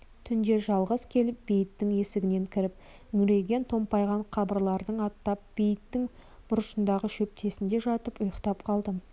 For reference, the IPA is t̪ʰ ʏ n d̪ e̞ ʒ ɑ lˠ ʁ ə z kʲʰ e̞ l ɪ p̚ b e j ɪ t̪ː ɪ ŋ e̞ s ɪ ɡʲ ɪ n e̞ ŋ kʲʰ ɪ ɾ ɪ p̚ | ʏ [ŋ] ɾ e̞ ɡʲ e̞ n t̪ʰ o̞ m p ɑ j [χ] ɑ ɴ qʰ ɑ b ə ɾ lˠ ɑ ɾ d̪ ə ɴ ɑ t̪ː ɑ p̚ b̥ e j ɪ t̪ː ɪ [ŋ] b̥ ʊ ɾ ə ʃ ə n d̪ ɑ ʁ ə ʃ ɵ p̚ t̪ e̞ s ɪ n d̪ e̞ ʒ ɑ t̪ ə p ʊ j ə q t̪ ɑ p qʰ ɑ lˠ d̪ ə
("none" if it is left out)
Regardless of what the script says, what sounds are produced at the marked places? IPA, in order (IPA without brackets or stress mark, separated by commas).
ŋ, ʁ, ŋ